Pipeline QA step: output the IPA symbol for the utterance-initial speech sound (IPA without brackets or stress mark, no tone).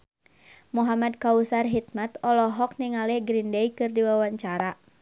m